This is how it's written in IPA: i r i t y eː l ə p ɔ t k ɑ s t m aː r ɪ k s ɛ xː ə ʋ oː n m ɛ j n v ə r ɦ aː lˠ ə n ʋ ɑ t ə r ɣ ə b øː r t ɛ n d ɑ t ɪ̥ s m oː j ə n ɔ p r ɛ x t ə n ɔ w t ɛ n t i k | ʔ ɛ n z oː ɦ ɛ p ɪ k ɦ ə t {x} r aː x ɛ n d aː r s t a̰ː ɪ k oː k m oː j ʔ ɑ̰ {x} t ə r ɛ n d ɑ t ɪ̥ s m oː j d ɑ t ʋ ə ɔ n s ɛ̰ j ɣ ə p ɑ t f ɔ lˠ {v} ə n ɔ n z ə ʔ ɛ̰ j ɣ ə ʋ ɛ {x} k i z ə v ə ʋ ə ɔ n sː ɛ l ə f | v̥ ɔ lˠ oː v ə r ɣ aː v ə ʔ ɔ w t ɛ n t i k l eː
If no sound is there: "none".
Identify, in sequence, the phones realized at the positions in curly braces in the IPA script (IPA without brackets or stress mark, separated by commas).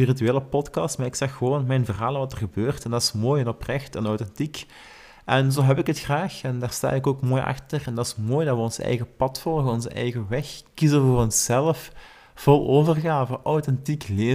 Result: x, x, ɣ, x